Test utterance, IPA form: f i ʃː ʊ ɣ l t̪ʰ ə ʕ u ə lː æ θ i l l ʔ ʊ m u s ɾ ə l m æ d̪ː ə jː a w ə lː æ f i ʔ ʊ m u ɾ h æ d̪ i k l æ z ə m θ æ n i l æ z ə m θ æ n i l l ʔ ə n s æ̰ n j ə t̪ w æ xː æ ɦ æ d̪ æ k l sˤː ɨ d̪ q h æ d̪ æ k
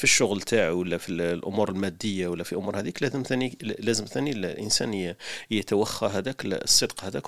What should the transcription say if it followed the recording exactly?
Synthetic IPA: f i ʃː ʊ ɣ l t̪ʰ a ʕ w ə lː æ f i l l ʔ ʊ m u ɾ ə l m æ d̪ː ə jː a w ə lː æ f i ʔ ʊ m u ɾ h æ d̪ i k l æ z ə m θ æ n i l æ z ə m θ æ n i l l ʔ ə n s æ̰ n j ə t̪ w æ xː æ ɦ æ d̪ æ k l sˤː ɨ d̪ q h æ d̪ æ k